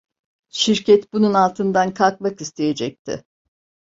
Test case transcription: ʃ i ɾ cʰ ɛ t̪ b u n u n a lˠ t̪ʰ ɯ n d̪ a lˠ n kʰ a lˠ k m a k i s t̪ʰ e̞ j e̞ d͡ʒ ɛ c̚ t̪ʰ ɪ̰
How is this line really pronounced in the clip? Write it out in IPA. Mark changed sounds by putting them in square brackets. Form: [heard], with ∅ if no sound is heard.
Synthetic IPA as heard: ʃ i ɾ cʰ ɛ t̪ b u n u n a lˠ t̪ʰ ɯ n d̪ a [∅] n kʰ a lˠ k m a k i s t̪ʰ e̞ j e̞ d͡ʒ ɛ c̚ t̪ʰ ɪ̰